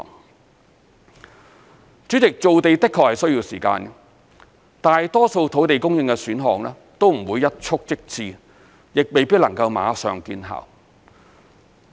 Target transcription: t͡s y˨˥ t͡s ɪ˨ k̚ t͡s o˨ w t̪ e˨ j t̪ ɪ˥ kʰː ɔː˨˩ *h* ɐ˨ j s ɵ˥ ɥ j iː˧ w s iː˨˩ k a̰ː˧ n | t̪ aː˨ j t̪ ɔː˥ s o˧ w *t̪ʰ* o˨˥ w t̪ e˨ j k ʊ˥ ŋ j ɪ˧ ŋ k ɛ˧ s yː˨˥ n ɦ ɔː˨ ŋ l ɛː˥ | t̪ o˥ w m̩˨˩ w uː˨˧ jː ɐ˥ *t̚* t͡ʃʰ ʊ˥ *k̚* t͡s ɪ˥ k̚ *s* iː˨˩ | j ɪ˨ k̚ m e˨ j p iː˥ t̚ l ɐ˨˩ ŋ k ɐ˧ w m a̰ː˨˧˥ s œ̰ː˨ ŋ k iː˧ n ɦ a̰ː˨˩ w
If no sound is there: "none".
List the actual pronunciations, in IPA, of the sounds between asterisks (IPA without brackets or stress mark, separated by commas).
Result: h, t̪ʰ, t̚, k̚, t͡s